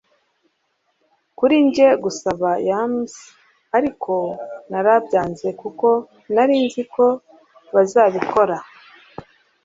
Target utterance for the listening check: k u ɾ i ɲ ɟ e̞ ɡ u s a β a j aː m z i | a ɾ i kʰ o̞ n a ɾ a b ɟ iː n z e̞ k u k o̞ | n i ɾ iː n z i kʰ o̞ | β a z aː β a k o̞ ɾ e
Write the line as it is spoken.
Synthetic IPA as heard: k u ɾ i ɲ ɟ e̞ ɡ u s a β a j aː m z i | a ɾ i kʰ o̞ n a ɾ a b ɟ aː n z e̞ k u k o̞ | n a ɾ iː n z i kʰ o̞ | β a z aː β i k o̞ ɾ a